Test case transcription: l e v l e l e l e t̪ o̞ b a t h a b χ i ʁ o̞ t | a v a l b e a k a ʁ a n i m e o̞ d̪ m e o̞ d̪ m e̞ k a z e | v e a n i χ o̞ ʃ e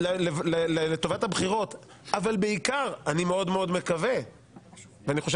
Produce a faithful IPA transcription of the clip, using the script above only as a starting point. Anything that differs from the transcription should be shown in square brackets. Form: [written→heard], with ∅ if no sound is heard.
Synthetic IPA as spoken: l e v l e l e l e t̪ o̞ [b→v] a t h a b χ i ʁ o̞ t | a v a l b e [a→i] k a ʁ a n i m e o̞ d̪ m e o̞ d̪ m e̞ k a [z→v] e | v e a n i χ o̞ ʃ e

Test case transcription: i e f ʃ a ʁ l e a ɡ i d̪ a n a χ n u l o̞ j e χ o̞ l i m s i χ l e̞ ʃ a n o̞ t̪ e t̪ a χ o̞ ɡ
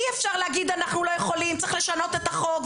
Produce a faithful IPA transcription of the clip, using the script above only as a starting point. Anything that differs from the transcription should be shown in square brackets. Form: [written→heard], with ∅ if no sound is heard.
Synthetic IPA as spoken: i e f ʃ a ʁ l e a ɡ i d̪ a n a χ n u l o̞ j e χ o̞ l i m [s→t͡s] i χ l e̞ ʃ a n o̞ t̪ e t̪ a χ o̞ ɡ

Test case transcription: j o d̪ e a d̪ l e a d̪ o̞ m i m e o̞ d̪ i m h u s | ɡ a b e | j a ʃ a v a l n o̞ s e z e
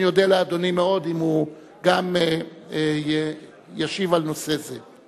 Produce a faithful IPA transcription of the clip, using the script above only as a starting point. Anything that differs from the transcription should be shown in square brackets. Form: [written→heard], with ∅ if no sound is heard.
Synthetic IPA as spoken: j o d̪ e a [d̪→∅] l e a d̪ o̞ [m→n] i m e o̞ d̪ i m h u [s→∅] | ɡ a [b→m] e | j a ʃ [a→i] v a l n o̞ s e z e

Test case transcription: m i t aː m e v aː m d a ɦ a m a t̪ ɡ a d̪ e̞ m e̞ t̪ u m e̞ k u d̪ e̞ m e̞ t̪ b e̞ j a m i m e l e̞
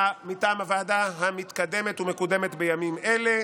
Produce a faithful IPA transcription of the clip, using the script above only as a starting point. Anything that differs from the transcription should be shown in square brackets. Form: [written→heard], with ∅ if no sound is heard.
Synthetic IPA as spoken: m i t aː m [e→a] v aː [m→∅] d a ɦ a m [a→i] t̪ [ɡ→k] a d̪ e̞ m e̞ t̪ u m e̞ k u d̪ e̞ m e̞ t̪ b e̞ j a m i m e l e̞

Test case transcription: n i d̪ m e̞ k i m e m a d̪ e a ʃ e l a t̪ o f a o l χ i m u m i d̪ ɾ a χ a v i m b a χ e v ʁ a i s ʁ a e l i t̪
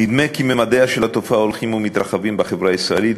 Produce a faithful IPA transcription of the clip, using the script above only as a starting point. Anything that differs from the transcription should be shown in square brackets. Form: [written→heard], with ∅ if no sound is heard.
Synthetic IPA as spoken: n i d̪ m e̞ k i m e m a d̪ e a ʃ e l a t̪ o f a o l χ i m u m i [d̪→t̪] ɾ a χ a v i m b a χ e v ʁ a i s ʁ a e l i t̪

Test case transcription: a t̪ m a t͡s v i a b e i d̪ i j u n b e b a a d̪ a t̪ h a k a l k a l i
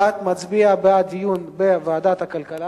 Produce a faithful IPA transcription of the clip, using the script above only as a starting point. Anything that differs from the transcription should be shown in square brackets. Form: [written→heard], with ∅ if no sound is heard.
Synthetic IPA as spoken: a t̪ m a t͡s [v→b] i a b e [i→a] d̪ i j u n b e [b→v] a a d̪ a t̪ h a k a l k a l [i→a]

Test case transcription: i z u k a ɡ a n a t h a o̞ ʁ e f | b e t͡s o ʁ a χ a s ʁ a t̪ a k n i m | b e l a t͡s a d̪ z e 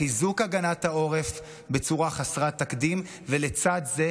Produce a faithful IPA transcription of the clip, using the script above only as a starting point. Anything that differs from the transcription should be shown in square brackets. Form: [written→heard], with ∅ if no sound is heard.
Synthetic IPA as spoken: i z u k a ɡ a n a t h a o̞ ʁ e f | b e t͡s [o→u] ʁ a χ a s ʁ a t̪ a k [n→d] i m | [b→v] e l [a→e] t͡s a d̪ z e

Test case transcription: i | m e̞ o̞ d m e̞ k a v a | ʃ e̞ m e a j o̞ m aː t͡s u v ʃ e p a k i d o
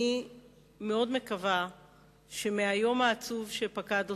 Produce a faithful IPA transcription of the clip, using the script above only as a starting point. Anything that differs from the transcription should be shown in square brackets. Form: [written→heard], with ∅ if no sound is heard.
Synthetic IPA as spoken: i | m e̞ o̞ d m e̞ k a v a | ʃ e̞ m e a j o̞ m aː t͡s u v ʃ e p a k [i→a] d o

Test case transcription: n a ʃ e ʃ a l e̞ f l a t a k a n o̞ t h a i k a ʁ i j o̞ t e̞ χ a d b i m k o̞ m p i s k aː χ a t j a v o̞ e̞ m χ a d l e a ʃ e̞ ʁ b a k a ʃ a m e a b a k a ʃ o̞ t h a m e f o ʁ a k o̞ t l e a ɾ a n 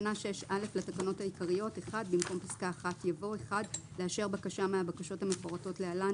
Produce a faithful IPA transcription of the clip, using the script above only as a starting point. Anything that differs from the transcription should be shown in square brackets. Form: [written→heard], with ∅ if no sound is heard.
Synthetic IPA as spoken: n a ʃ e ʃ a l e̞ f l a t a k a n o̞ t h a i k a ʁ i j o̞ t e̞ χ a d b i m k o̞ m p i s k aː χ a t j a v o̞ e̞ [m→∅] χ a d l e a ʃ e̞ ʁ b a k a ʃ a m e a b a k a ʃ o̞ t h a m e f o ʁ a [k→t] o̞ t l e a [ɾ→l] a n

